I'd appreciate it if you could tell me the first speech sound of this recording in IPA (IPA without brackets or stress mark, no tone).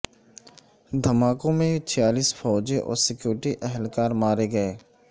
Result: d̪ʱ